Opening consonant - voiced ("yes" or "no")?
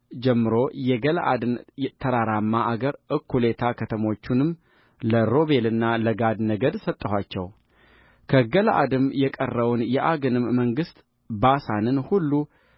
yes